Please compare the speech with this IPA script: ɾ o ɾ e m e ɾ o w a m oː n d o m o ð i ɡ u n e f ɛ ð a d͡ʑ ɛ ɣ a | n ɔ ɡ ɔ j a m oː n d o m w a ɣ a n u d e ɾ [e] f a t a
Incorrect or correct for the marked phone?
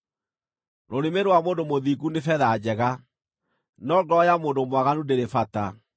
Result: correct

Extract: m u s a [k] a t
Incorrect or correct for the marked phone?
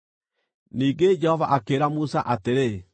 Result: incorrect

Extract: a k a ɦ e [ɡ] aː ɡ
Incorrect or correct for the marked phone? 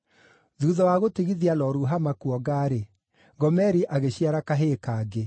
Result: incorrect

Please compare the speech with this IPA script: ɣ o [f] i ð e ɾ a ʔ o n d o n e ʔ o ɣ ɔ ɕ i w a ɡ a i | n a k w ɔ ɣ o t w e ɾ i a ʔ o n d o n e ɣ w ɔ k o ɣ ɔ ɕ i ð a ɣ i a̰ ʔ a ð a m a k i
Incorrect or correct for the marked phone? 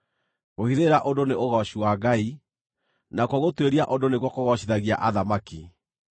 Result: incorrect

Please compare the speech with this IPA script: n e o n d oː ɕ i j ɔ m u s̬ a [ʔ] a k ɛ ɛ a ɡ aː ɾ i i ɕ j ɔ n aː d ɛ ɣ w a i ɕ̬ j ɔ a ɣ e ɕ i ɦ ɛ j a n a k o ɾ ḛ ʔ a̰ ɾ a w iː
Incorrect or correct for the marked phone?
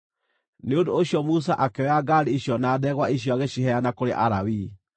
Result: correct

